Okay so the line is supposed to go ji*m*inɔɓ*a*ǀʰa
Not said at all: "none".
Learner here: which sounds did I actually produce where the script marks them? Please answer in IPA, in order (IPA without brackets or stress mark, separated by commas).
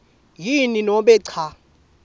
n, ɛ